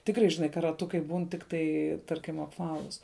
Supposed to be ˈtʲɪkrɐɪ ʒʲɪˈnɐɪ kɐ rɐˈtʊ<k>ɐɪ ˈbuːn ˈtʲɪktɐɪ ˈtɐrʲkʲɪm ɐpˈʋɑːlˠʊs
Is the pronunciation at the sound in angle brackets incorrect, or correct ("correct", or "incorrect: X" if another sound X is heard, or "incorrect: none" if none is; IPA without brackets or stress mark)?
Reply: correct